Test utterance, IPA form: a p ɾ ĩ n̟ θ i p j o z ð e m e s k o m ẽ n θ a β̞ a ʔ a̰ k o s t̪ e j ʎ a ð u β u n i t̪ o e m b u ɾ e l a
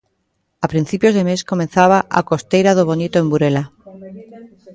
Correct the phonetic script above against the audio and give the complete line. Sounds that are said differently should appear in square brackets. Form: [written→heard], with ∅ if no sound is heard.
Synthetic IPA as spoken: a p ɾ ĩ n̟ θ i p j o z ð e m e s k o m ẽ n θ a β̞ a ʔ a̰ k o s t̪ e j [ʎ→ɾ] a ð [u→o] β [u→o] n i t̪ o e m b u ɾ e l a